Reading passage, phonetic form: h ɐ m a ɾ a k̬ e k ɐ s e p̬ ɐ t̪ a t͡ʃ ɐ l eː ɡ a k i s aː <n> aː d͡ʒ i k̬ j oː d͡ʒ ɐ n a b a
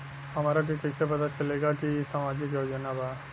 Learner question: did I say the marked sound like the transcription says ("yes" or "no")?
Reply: no